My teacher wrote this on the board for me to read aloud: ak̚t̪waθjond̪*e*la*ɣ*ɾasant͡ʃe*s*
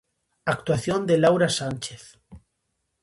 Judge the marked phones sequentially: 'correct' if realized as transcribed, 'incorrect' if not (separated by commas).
correct, incorrect, incorrect